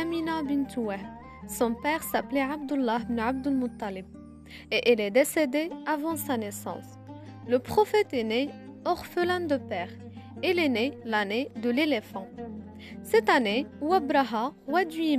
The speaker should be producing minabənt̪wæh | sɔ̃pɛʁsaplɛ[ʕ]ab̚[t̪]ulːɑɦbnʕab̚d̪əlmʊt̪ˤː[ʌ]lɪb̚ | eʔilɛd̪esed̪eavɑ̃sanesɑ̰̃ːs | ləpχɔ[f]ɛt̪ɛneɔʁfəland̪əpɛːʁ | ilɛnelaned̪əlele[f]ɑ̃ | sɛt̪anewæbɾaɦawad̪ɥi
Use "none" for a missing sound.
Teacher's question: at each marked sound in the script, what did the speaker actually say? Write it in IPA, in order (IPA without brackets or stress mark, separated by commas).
ʕ, d̪, ɑ, f, f